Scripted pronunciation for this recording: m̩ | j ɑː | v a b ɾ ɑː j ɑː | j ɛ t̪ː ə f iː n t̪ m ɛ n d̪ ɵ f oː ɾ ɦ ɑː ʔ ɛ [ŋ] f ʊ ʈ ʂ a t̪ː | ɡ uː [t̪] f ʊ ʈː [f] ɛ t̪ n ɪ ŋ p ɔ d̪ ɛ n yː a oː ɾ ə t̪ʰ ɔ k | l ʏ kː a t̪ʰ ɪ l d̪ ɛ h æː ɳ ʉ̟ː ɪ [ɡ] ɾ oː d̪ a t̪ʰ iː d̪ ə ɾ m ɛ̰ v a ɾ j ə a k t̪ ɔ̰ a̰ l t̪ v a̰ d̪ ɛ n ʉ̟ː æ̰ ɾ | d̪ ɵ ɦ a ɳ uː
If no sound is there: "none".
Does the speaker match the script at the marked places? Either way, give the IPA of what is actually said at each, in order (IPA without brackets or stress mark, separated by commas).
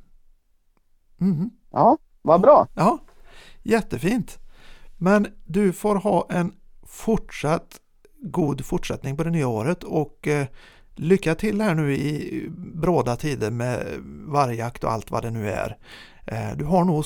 n, d̪, ʂ, b